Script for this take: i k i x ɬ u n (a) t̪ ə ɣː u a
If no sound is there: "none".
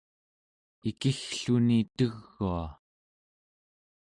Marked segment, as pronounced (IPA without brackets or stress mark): i